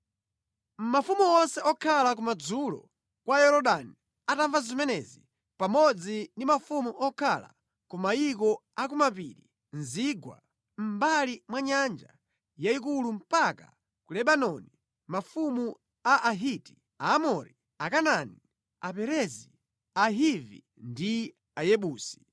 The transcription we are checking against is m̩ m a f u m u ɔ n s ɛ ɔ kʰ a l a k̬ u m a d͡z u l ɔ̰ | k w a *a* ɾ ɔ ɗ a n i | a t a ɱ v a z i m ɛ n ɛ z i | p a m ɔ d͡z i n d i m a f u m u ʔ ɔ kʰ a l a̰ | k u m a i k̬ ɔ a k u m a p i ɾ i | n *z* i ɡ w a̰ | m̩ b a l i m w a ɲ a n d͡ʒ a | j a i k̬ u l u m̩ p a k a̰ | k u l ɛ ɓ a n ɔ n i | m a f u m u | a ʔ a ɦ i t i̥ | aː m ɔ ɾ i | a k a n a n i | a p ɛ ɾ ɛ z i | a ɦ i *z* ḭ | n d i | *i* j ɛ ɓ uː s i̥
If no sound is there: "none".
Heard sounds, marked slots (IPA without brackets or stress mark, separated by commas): ɛ, z, v, a